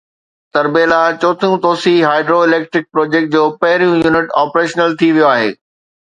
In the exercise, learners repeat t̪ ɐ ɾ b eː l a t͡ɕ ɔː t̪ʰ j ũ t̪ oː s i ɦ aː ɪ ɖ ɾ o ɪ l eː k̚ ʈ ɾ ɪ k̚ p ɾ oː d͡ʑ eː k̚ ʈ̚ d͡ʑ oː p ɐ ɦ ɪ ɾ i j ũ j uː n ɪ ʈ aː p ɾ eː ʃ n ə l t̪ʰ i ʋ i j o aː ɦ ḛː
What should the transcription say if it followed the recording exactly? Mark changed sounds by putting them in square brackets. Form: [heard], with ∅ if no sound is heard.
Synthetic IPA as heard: t̪ ɐ ɾ b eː l a t͡ɕ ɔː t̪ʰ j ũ t̪ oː s i ɦ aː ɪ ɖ ɾ o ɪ l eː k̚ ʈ ɾ ɪ k̚ p ɾ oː d͡ʑ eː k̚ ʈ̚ d͡ʑ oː p ɐ ɦ ɪ ɾ i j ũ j uː n ɪ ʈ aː p ɾ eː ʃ n ə l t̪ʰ i ʋ i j o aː ɦ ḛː